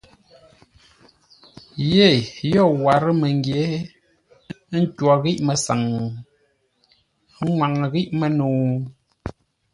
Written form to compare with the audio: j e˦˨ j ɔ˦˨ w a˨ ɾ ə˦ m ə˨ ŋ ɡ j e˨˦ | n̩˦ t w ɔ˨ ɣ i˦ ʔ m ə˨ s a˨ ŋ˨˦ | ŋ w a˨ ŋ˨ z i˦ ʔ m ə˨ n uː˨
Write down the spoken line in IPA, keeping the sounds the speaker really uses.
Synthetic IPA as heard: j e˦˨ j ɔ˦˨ w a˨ ɾ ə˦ m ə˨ ŋ ɡ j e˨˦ | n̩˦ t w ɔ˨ ɣ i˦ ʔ m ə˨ s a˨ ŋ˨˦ | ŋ w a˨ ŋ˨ ɣ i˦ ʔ m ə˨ n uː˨